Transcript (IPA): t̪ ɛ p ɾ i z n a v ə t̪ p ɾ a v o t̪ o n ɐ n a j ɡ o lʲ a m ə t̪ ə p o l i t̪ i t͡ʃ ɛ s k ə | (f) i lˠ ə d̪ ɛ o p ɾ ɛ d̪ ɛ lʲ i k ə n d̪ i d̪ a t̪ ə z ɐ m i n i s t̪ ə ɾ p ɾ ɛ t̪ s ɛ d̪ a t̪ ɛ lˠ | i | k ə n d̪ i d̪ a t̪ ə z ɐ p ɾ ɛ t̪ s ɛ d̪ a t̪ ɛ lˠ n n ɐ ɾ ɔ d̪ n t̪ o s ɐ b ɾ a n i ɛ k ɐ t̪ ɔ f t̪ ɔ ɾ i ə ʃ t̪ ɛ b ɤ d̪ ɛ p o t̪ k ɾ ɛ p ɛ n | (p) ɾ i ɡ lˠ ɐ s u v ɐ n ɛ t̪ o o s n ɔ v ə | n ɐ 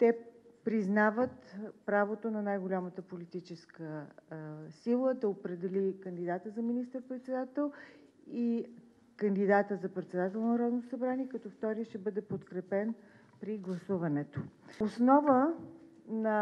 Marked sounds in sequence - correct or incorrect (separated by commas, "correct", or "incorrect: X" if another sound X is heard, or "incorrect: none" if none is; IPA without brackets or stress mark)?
incorrect: s, correct